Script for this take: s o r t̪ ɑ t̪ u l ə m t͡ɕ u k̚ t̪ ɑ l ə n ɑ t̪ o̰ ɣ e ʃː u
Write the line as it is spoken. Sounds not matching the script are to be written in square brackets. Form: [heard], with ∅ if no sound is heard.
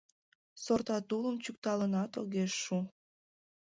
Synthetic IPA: s o r t̪ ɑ t̪ u l ə m t͡ɕ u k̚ t̪ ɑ l ə n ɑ t̪ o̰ ɣ e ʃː u